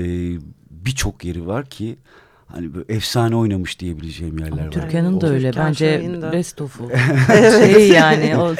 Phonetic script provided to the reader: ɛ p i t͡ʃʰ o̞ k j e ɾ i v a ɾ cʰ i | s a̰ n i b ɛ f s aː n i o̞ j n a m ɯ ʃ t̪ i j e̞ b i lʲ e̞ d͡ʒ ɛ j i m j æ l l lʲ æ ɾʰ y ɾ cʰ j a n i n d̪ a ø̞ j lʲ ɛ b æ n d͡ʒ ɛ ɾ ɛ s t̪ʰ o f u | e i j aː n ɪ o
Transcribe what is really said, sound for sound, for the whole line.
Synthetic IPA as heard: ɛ b i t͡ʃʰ o̞ k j e ɾ i v a ɾ cʰ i | h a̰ n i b ɛ f s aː n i o̞ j n a m ɯ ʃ d̪ i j e̞ b i lʲ e̞ d͡ʒ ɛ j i m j æ ɾ l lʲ æ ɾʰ y ɾ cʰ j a n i n d̪ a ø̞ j lʲ ɛ b æ n d͡ʒ ɛ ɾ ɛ s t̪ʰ o f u | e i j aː n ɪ o